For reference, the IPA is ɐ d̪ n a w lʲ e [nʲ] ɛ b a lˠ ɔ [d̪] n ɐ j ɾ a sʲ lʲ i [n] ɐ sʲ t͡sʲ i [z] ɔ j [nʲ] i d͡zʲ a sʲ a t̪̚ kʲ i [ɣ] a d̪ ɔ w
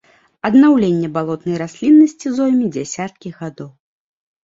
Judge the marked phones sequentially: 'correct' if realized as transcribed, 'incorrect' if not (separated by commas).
incorrect, incorrect, incorrect, correct, incorrect, correct